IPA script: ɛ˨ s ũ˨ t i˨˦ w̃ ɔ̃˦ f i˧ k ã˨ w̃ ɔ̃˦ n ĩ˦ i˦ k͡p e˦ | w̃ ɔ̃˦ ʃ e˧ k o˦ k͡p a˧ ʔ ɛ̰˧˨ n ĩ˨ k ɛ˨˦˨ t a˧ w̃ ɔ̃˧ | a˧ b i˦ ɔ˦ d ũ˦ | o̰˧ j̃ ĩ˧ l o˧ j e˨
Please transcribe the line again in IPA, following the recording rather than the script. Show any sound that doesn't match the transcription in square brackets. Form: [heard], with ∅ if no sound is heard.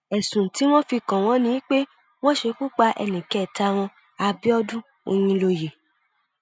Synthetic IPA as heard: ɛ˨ s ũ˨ t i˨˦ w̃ ɔ̃˦ f i˧ k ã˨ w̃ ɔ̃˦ n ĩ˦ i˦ k͡p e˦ | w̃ ɔ̃˦ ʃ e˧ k [u˦] k͡p a˧ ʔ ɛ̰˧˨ n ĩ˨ k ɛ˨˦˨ t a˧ w̃ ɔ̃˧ | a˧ b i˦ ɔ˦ d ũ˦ | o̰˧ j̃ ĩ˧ l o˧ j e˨